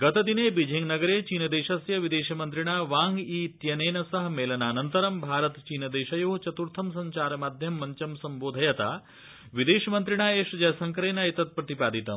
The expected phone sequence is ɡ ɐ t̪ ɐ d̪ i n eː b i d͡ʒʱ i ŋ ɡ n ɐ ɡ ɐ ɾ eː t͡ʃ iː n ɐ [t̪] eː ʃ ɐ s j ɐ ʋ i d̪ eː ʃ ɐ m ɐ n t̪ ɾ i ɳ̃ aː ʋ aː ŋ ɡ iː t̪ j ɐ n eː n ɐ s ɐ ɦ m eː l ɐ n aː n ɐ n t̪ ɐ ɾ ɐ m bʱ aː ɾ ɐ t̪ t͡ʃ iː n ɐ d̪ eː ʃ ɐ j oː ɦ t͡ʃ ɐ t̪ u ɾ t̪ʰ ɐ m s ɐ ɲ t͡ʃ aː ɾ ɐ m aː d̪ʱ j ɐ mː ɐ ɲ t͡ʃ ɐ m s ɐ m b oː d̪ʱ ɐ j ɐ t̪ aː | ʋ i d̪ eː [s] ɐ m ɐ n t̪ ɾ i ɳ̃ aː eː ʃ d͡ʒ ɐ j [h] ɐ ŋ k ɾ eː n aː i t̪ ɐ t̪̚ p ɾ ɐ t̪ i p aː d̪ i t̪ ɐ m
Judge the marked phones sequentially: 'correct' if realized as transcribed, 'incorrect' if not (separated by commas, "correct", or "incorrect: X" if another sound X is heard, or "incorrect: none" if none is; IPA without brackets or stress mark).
incorrect: d̪, incorrect: ʃ, incorrect: s